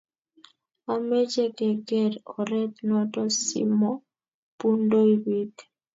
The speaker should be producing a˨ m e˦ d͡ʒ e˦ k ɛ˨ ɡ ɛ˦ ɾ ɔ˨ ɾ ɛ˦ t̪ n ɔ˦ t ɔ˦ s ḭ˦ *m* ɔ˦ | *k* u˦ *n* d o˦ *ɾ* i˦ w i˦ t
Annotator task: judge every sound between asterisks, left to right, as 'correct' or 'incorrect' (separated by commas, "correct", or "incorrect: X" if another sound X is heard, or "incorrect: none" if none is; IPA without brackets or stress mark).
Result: correct, incorrect: p, correct, incorrect: none